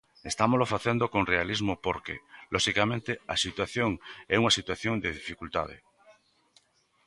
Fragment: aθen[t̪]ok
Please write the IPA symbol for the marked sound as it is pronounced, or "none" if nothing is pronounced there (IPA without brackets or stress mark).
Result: d̪